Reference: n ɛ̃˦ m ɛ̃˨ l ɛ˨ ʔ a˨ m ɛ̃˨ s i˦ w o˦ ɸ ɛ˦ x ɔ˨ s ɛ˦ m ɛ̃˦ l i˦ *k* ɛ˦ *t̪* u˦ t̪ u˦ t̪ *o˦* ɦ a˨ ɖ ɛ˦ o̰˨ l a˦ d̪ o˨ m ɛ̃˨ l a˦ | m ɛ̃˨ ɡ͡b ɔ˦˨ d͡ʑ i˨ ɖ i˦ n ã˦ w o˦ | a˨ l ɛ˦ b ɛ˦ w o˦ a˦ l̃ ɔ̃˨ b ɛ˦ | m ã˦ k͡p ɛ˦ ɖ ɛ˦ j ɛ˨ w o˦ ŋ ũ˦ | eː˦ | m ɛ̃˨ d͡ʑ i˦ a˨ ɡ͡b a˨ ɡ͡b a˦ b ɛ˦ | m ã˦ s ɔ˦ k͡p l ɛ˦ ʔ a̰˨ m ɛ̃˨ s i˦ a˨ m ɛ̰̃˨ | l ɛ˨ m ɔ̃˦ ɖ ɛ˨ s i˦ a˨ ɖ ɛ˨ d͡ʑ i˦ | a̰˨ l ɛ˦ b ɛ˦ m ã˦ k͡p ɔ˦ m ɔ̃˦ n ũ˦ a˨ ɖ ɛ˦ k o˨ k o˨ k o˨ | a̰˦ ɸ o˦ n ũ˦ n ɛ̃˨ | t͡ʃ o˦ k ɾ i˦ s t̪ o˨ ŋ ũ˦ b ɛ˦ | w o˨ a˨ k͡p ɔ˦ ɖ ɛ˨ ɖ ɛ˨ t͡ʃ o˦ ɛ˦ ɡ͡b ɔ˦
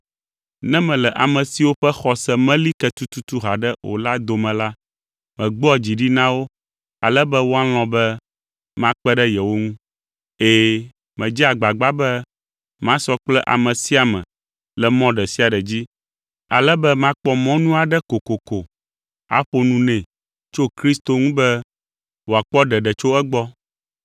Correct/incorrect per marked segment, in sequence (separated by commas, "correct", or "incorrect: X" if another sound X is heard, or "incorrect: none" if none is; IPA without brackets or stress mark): correct, correct, incorrect: u˦